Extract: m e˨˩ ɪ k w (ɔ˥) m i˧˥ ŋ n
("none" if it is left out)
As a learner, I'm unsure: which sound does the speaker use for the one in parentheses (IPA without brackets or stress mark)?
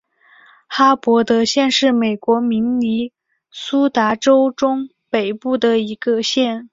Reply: ɔ˧˥